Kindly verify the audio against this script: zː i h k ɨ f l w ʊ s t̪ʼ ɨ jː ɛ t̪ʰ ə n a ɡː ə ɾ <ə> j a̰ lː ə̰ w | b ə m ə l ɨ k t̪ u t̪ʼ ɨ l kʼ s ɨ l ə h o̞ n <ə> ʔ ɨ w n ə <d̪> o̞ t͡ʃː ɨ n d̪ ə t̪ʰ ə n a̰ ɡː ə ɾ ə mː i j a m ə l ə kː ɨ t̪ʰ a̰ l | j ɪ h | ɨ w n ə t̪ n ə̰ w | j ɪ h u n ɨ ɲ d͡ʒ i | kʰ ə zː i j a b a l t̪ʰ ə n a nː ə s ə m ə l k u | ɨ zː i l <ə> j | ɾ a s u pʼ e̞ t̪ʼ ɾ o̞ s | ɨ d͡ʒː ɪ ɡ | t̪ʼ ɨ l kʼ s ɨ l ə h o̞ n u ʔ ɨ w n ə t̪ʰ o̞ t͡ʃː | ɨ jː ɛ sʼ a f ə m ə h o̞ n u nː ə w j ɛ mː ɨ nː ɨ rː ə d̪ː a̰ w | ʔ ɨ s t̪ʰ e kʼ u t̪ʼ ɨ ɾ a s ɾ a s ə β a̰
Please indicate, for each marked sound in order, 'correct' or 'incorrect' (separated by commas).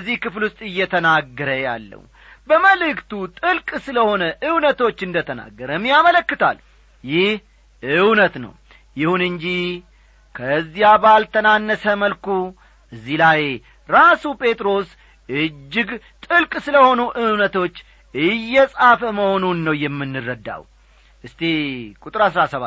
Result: correct, correct, incorrect, incorrect